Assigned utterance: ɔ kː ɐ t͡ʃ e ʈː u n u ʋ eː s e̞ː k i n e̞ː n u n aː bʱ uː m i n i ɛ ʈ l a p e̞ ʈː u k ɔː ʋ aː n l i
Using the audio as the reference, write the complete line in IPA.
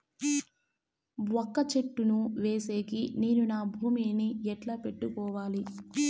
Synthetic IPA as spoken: ɔ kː ɐ t͡ʃ e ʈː u n u ʋ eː s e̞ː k i n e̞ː n u n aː bʱ uː m i n i ɛ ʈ l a p e̞ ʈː u k ɔː ʋ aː l i